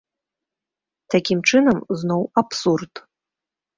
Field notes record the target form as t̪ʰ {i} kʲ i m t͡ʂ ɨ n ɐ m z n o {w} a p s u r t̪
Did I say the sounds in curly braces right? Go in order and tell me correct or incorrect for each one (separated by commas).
incorrect, correct